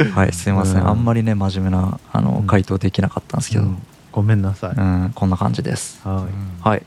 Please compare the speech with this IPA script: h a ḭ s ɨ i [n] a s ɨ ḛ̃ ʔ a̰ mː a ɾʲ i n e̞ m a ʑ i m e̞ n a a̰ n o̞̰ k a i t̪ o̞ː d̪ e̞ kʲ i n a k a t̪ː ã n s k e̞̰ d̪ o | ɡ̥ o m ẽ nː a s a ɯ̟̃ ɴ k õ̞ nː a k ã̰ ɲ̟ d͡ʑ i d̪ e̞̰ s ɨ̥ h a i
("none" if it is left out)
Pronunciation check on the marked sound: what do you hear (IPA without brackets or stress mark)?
m